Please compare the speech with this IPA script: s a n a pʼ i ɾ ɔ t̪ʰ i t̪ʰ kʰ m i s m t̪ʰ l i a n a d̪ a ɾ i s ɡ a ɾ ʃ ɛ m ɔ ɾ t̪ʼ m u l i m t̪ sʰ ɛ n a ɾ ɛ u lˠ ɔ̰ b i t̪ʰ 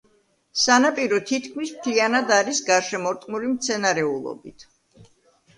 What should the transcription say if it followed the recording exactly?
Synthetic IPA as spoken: s a n a pʼ i ɾ ɔ t̪ʰ i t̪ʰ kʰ m i s m t̪ʰ l i a n a d̪ a ɾ i s ɡ a ɾ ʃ ɛ m ɔ ɾ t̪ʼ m u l i m t̪ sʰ ɛ n a ɾ ɛ u lˠ ɔ̰ b i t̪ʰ